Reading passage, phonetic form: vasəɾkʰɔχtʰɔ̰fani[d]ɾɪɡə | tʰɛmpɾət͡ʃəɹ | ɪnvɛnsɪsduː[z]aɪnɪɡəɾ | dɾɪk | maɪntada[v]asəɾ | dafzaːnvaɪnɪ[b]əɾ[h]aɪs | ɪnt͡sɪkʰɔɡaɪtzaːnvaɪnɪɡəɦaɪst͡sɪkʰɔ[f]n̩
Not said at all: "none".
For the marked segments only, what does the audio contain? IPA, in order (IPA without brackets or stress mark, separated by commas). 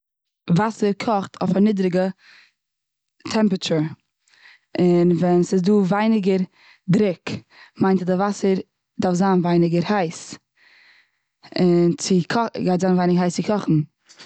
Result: d, v, v, ɡ, h, χ